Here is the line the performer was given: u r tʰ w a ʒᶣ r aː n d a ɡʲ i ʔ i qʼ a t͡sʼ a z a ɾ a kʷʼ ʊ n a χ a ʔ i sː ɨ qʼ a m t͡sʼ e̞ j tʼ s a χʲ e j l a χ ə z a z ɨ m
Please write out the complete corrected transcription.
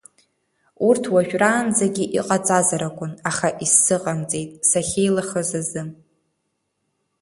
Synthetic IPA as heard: u r tʰ w a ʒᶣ r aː n d͡z a ɡʲ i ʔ i qʼ a t͡sʼ a z a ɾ a kʷʼ ʊ n a χ a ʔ i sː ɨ qʼ a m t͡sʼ e̞ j tʼ s a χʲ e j l a χ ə z a z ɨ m